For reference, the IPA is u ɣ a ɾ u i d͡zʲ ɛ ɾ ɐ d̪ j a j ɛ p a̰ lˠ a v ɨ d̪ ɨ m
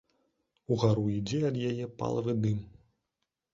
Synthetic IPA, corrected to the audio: u ɣ a ɾ u i d͡zʲ ɛ ɐ d̪ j a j ɛ p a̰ lˠ ɐ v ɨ d̪ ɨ m